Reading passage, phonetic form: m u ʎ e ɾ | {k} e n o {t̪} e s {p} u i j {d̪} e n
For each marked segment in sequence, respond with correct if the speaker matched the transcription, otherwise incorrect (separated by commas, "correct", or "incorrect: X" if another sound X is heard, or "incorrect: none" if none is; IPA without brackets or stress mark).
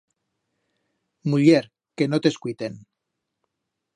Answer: correct, correct, incorrect: k, incorrect: t̪